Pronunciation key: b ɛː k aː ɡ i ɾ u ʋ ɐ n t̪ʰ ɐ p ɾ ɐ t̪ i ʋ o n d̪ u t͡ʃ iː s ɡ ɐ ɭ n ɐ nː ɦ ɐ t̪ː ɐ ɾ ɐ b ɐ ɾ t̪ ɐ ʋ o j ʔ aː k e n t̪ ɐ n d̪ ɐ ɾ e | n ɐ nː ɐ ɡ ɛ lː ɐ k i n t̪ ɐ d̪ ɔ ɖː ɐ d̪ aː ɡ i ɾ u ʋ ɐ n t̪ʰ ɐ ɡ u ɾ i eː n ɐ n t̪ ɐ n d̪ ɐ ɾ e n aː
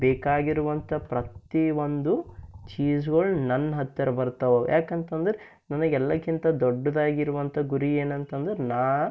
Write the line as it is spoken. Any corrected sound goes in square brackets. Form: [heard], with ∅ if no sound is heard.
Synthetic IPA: b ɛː k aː ɡ i ɾ u ʋ ɐ n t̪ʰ ɐ p ɾ ɐ t̪ i ʋ o n d̪ u t͡ʃ iː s ɡ ɐ ɭ n ɐ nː ɦ ɐ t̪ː ɐ ɾ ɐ b ɐ ɾ t̪ ɐ ʋ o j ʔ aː k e n t̪ ɐ n d̪ ɐ ɾ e | n ɐ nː ɐ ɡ ɛ lː ɐ k i n t̪ ɐ d̪ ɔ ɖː ɐ d̪ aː ɡ i ɾ u ʋ ɐ n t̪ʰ ɐ ɡ u ɾ i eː n ɐ n t̪ ɐ n d̪ ɐ ɾ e n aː